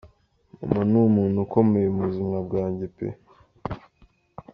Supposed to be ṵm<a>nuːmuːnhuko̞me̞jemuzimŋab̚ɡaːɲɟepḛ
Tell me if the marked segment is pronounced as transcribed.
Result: yes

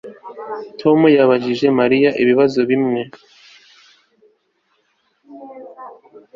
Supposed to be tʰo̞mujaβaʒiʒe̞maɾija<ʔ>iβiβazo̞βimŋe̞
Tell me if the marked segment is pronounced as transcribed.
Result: yes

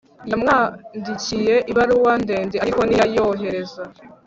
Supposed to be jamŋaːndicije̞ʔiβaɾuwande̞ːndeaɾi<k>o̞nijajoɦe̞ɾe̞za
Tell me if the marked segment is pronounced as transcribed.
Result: yes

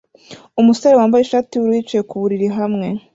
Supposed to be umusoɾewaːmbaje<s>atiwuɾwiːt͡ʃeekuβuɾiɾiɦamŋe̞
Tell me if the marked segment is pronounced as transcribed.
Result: no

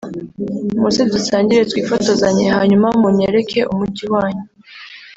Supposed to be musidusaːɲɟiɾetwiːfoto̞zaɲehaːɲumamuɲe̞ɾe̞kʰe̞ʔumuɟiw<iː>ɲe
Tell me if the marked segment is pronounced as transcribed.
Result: no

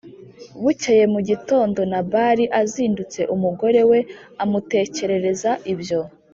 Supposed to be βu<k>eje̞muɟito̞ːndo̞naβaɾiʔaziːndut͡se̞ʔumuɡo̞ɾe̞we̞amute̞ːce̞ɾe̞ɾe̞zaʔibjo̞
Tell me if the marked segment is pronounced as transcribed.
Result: no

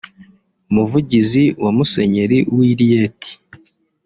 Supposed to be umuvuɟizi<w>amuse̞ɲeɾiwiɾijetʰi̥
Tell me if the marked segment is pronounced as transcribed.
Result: yes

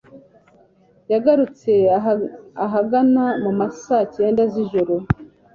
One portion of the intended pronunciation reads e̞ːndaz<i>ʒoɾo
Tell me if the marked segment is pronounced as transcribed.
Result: yes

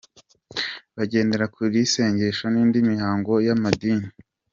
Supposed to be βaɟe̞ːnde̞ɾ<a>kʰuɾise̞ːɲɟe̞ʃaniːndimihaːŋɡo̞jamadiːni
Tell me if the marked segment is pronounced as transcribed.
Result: yes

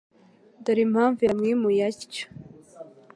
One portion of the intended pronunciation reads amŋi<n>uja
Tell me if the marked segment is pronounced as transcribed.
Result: no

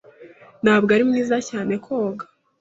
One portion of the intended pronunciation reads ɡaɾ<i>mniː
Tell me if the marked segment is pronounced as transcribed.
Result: yes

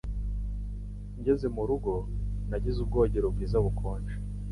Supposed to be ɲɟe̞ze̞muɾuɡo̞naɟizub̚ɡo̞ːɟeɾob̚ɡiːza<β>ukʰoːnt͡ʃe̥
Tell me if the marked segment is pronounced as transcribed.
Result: yes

